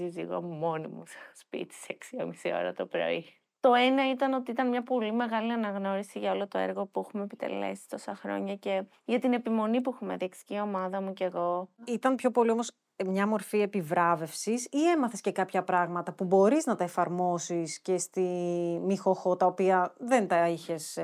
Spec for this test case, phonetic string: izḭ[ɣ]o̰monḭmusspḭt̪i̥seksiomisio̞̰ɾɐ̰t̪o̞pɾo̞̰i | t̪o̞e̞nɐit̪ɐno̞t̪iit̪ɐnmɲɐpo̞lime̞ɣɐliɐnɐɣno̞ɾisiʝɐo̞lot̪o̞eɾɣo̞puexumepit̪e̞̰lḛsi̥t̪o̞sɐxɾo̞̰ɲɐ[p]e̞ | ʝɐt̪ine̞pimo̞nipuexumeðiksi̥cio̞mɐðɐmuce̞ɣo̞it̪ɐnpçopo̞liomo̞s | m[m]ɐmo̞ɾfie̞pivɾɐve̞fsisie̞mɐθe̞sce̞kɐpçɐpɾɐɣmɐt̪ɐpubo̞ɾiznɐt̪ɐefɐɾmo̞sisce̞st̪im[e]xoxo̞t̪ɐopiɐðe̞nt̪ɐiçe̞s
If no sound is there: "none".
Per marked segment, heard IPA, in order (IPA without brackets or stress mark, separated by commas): ɣ, c, ɲ, i